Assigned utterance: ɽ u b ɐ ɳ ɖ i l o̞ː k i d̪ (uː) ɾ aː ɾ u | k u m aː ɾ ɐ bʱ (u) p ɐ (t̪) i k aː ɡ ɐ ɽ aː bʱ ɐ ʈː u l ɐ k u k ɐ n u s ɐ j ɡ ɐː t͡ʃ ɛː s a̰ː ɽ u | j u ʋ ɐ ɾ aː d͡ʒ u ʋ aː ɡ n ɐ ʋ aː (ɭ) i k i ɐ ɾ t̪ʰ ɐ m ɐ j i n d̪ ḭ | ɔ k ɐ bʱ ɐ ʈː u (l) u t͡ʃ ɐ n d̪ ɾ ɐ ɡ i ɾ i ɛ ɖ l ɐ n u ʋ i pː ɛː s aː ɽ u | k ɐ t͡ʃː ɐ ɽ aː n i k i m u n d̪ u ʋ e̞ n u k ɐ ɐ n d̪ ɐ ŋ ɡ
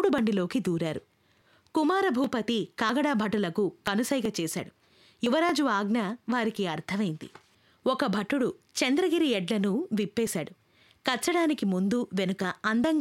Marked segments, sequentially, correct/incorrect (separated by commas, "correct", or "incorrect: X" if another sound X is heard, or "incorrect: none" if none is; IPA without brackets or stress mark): correct, incorrect: uː, correct, incorrect: ɾ, incorrect: ɽ